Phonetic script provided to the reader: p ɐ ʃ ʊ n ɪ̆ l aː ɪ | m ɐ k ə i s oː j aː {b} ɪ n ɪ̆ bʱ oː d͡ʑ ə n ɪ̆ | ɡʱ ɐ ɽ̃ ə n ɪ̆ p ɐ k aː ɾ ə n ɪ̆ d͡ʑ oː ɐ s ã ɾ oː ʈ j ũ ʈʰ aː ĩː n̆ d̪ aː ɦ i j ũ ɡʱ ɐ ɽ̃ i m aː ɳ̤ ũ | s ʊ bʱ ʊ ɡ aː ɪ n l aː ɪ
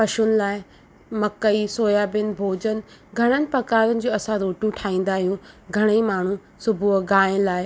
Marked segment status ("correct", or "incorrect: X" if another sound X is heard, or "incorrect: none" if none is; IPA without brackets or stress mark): correct